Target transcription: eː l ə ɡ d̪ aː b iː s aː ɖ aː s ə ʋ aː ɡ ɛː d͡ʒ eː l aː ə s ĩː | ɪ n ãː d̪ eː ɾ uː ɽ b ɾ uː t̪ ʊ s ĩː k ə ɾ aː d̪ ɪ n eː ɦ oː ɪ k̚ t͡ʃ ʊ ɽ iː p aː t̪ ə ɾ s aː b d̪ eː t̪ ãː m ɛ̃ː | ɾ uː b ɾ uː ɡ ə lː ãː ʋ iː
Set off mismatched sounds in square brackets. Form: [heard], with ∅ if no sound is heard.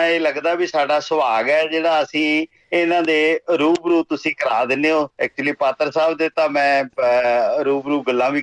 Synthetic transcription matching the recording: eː l ə ɡ d̪ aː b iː s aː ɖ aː s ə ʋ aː ɡ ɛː d͡ʒ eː [ɽ] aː ə s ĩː | ɪ n ãː d̪ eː ɾ uː [∅] b ɾ uː t̪ ʊ s ĩː k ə ɾ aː d̪ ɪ n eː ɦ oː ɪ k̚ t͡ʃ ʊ [l] iː p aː t̪ ə ɾ s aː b d̪ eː t̪ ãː m ɛ̃ː | ɾ uː b ɾ uː ɡ ə lː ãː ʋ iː